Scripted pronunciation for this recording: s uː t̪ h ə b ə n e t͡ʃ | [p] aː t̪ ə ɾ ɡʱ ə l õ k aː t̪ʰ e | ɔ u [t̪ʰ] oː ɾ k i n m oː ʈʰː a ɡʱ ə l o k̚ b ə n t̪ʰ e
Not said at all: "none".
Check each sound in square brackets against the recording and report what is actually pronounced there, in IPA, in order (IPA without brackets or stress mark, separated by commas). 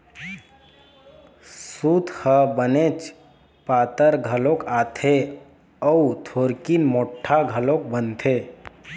p, t̪ʰ